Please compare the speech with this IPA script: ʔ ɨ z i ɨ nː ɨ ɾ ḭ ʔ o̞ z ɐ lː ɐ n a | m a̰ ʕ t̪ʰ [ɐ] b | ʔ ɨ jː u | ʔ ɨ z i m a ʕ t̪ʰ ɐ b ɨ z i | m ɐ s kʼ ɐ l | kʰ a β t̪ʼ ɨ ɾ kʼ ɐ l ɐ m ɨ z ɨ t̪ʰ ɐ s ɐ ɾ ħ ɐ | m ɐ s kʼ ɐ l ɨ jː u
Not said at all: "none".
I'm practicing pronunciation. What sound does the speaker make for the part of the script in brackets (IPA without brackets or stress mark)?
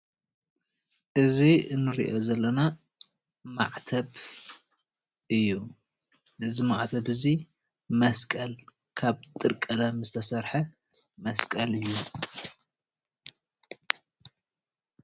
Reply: ɐ